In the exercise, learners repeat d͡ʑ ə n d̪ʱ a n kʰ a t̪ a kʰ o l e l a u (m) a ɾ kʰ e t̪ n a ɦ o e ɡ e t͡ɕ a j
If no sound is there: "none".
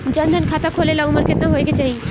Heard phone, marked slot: m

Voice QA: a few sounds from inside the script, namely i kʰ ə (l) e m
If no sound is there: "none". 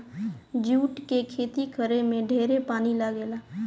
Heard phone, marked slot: ɾ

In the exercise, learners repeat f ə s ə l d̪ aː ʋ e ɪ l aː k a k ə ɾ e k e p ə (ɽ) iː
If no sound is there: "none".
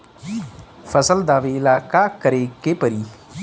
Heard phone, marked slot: ɾ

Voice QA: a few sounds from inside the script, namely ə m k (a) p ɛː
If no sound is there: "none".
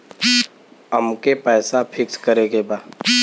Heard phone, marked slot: e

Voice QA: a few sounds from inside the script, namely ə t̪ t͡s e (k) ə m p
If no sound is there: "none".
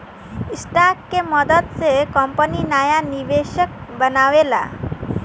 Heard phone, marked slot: k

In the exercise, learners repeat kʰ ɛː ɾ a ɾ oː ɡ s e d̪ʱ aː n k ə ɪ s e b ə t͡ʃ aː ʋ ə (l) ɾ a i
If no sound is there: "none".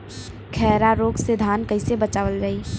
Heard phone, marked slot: l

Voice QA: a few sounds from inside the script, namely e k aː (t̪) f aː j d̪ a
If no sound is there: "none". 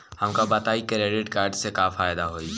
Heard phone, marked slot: none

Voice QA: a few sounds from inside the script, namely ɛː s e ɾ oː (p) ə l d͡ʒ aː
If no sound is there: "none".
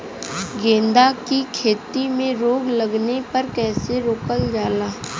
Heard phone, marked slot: k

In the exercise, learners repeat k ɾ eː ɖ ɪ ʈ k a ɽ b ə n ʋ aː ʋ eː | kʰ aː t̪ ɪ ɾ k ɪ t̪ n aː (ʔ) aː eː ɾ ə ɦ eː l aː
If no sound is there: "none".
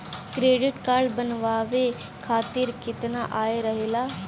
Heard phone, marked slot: ʔ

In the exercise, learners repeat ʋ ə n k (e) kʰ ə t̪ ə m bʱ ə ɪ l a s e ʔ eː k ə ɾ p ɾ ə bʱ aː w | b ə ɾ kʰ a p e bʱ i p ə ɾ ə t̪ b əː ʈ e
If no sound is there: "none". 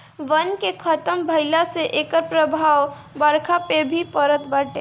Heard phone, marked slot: e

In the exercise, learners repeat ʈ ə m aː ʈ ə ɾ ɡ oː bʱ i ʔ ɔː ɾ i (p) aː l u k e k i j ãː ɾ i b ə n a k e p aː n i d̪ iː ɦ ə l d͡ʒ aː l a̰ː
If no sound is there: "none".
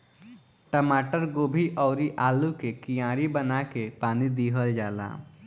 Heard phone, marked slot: ʔ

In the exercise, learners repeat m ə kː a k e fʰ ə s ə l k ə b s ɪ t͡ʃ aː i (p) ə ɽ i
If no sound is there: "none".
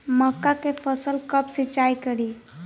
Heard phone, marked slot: k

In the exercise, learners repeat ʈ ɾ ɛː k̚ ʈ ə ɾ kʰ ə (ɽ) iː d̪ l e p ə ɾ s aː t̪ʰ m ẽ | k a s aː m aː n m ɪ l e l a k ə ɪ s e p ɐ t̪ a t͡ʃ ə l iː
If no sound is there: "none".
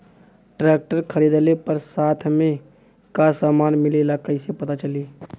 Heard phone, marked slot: ɾ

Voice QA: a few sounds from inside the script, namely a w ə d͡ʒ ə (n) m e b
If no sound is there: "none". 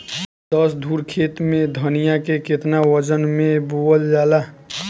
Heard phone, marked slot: n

